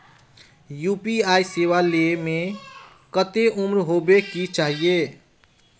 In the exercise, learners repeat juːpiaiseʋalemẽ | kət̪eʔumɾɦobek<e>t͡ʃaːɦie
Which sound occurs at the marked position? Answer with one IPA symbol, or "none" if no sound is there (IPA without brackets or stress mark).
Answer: i